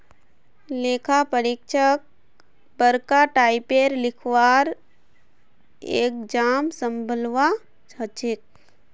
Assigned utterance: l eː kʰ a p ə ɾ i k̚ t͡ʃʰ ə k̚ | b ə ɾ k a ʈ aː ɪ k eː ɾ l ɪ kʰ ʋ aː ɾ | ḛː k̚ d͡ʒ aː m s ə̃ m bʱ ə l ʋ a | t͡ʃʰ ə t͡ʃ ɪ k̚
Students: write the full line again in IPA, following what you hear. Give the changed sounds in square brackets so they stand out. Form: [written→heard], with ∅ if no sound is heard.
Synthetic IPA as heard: l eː kʰ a p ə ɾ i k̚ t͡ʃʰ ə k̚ | b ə ɾ k a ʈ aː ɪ [k→p] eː ɾ l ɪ kʰ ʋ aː ɾ | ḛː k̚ d͡ʒ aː m s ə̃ m bʱ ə l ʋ a | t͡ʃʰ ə t͡ʃ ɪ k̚